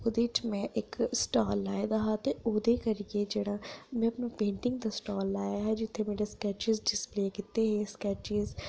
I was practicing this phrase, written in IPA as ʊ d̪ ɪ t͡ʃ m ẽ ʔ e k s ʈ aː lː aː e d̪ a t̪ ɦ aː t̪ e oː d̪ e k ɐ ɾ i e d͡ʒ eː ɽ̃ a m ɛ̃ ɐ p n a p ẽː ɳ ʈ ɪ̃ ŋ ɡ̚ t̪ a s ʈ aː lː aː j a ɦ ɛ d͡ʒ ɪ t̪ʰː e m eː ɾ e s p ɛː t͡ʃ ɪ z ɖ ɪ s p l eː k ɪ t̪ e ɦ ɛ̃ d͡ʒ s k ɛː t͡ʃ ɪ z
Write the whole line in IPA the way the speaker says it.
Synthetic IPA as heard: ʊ d̪ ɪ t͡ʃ m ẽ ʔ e k s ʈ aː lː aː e d̪ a ɦ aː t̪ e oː d̪ e k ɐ ɾ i e d͡ʒ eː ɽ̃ a m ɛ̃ ɐ p n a p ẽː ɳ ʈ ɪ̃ ŋ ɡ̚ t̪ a s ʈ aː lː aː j a ɦ ɛ d͡ʒ ɪ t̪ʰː e m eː ɾ e s k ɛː t͡ʃ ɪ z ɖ ɪ s p l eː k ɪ t̪ e ɦ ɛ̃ s k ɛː t͡ʃ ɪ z